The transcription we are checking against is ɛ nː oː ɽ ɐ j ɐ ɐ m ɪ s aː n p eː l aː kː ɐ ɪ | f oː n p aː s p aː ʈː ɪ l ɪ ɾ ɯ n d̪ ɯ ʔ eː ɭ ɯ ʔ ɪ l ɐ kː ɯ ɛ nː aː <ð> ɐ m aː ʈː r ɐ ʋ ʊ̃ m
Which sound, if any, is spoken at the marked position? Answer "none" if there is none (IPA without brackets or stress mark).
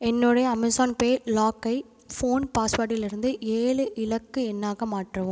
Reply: ɣ